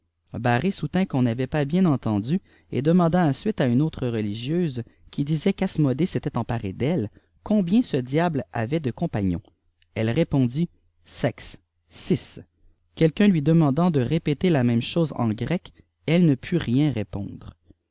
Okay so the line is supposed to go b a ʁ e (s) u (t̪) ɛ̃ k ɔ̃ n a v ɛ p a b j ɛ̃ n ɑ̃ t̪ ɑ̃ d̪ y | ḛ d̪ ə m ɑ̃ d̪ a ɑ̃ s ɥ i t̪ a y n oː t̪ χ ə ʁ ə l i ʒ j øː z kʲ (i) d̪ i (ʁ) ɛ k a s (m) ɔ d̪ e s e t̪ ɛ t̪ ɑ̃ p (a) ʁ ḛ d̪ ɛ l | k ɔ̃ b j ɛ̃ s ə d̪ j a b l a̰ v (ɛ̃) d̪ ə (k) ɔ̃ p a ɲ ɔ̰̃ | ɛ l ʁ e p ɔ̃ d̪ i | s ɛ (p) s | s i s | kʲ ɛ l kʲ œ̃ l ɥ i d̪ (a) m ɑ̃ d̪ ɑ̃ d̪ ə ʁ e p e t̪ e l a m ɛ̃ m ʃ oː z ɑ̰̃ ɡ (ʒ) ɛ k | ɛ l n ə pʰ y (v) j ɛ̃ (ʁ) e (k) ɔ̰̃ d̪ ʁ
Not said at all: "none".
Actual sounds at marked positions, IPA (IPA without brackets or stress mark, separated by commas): s, t̪, i, z, m, a, ɛ, k, k, ə, ʁ, ʁ, ʁ, p